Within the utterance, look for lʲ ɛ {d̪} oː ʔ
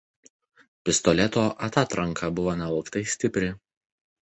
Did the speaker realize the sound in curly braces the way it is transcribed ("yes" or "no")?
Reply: no